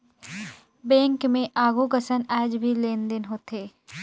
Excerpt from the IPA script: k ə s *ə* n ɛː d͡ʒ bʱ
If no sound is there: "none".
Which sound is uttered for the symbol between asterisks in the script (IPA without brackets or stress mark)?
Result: ə